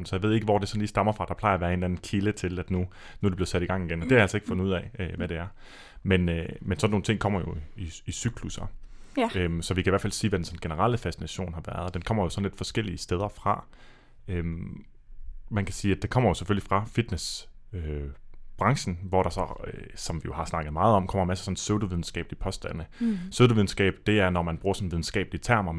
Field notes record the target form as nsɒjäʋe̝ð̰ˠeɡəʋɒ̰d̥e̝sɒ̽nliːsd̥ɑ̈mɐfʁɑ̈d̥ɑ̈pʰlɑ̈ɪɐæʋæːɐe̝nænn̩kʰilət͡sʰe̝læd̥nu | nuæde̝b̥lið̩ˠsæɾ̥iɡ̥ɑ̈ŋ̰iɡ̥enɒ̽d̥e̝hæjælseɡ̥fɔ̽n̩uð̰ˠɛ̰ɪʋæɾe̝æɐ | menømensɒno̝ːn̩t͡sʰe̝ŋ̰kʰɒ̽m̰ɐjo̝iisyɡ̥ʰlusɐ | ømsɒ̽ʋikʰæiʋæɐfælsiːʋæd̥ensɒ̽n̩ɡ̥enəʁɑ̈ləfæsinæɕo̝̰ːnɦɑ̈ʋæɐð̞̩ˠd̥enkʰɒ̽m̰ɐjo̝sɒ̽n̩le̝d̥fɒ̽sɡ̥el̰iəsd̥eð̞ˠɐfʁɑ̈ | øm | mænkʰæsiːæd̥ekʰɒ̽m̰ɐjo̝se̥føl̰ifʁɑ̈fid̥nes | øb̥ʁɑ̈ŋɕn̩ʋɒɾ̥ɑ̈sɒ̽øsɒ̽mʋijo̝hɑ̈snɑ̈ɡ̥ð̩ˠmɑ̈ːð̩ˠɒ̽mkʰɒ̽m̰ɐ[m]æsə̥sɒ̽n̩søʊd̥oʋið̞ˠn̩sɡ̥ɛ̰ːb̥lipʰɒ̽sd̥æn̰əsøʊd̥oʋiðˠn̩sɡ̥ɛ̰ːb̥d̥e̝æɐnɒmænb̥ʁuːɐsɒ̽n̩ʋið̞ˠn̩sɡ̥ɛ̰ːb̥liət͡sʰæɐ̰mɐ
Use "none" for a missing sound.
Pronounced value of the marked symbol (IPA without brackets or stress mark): m